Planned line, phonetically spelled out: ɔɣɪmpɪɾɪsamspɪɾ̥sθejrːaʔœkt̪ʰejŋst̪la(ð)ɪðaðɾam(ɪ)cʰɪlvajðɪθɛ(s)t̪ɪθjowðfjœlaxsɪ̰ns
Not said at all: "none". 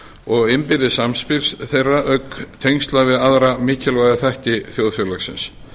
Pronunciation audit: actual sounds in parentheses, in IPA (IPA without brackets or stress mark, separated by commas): v, ɪː, h